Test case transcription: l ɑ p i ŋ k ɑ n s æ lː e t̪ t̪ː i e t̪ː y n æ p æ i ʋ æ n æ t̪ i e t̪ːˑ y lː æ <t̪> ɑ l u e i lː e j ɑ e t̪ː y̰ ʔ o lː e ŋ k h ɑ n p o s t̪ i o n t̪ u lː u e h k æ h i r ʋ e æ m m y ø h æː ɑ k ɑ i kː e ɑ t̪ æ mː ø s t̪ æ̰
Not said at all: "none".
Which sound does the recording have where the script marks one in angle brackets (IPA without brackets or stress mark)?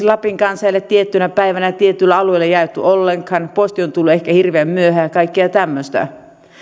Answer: none